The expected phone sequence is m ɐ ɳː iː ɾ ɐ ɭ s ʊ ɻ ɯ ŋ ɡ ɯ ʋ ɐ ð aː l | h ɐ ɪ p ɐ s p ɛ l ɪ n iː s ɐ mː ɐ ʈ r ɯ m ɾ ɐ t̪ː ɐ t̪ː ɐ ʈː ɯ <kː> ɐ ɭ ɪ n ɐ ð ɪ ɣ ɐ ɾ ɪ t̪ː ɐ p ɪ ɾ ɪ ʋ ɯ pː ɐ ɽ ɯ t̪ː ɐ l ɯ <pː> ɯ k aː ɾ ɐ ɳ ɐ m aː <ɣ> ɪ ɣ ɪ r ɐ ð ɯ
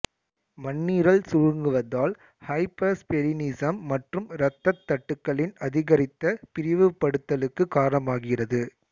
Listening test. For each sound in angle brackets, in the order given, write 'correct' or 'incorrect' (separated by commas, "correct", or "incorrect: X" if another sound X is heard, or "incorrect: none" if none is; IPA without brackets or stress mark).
correct, incorrect: kː, correct